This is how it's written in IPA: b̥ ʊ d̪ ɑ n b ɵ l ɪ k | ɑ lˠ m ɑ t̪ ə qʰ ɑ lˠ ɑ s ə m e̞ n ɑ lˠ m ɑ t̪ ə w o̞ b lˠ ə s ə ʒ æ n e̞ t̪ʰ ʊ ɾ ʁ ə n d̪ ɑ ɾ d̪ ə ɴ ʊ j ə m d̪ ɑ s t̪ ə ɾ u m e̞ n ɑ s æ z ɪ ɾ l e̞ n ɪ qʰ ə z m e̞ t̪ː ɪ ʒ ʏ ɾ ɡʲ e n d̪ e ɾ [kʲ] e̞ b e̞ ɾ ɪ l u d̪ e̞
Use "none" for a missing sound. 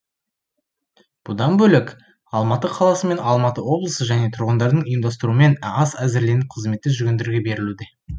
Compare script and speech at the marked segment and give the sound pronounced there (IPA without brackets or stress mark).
ɡʲ